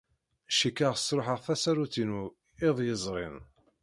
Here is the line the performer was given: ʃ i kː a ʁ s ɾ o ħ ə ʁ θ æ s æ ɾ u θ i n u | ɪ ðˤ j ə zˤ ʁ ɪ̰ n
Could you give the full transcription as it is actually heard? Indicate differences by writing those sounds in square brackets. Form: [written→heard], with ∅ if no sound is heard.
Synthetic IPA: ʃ i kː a ʁ s ɾ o ħ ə ʁ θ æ s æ ɾ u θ i n u | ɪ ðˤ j ə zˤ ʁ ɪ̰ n